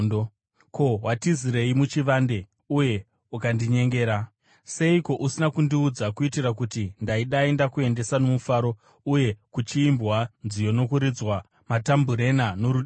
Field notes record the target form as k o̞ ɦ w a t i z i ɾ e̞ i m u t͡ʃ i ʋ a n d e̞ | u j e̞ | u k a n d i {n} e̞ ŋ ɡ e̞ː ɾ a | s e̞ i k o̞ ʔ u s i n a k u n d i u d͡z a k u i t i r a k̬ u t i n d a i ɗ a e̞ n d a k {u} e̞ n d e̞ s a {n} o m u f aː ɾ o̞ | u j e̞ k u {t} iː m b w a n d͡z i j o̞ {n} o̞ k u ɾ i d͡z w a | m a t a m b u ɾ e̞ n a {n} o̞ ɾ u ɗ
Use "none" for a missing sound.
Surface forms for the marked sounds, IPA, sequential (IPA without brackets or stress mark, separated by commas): ɲ, u, n, t͡ʃ, n, n